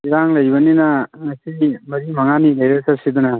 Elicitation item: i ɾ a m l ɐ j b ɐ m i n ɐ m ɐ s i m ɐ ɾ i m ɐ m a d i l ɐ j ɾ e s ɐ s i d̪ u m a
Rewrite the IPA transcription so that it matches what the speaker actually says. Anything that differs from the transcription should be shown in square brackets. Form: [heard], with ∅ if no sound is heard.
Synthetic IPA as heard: i ɾ a [ŋ] l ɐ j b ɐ [n] i n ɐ [ŋ] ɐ s i m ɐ ɾ i m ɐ [ŋ] a [n] i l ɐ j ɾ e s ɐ s i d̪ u [n] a